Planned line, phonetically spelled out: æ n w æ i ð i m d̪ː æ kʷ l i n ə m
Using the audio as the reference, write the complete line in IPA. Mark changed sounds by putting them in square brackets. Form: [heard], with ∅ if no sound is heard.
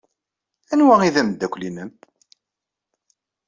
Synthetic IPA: æ n w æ i ð [æ] m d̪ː æ kʷ l i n ə m